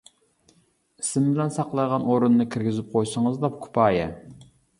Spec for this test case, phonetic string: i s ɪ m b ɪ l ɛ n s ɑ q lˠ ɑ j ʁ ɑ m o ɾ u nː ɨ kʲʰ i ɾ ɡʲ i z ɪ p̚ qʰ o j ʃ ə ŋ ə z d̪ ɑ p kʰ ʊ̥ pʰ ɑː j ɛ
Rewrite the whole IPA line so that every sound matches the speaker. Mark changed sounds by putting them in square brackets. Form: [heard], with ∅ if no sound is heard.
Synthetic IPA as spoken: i s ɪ m b ɪ l ɛ n s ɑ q lˠ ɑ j ʁ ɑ [n] o ɾ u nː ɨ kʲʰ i ɾ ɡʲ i z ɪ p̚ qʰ o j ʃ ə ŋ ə z d̪ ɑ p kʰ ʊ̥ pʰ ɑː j ɛ